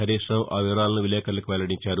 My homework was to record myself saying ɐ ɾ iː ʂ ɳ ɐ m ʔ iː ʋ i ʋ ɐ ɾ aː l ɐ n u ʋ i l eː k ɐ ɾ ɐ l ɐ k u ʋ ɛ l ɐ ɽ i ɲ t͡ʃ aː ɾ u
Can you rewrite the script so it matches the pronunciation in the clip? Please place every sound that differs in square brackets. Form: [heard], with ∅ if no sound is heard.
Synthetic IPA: ɐ ɾ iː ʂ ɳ ɐ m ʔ [aː] ʋ i ʋ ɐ ɾ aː l ɐ n u ʋ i l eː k ɐ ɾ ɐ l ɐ k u ʋ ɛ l ɐ ɽ i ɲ t͡ʃ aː ɾ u